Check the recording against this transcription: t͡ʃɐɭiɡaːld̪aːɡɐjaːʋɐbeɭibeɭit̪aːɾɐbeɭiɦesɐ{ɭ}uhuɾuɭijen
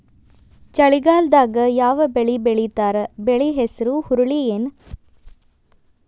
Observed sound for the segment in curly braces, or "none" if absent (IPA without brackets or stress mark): ɾ